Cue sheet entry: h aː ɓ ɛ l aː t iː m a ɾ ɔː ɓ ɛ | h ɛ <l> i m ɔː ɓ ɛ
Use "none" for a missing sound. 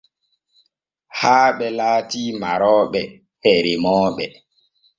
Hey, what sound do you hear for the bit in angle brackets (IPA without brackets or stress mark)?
ɾ